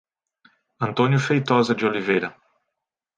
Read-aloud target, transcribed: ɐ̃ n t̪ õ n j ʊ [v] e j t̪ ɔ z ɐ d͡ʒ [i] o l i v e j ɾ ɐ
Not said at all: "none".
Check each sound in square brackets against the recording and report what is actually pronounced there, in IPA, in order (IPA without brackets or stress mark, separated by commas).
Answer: f, ɪ